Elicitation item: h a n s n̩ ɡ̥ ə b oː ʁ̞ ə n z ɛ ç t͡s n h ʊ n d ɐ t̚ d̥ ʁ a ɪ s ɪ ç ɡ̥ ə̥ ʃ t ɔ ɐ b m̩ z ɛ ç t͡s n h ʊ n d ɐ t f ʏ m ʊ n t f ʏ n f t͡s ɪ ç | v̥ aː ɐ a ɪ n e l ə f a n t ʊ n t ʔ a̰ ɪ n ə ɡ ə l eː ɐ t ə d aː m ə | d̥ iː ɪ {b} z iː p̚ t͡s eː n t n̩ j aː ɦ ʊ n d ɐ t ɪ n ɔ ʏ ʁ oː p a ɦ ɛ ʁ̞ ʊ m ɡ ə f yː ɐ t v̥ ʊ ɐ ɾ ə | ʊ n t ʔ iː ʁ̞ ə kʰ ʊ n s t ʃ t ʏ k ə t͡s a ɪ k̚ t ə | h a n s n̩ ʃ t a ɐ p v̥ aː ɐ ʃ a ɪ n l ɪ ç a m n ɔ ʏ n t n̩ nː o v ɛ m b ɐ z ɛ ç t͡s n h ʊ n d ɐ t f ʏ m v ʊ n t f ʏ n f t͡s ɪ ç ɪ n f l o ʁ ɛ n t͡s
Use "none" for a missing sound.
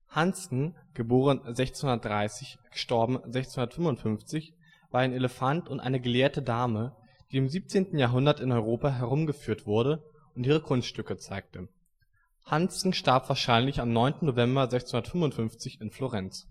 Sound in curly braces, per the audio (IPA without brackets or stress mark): m